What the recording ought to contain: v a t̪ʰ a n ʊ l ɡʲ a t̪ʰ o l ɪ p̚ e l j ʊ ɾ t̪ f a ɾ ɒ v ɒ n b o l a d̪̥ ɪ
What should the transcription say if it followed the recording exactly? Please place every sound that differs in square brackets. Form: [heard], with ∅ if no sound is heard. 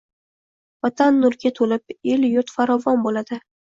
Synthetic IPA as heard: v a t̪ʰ a [nː] ʊ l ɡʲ a t̪ʰ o l ɪ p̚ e l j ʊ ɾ t̪ f a ɾ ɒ v ɒ n b o l a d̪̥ ɪ